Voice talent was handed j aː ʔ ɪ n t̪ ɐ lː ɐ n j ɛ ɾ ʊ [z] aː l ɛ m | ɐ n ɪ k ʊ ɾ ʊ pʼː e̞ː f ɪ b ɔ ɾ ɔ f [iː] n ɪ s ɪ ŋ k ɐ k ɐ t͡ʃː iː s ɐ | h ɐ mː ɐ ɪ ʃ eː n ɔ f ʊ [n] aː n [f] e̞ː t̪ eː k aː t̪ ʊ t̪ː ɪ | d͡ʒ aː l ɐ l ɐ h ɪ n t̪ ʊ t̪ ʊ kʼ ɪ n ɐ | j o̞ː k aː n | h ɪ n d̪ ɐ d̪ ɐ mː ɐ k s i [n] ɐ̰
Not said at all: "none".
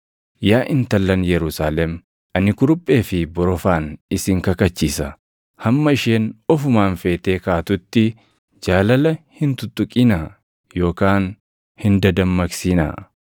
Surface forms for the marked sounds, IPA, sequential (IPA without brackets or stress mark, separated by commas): s, aː, m, f, n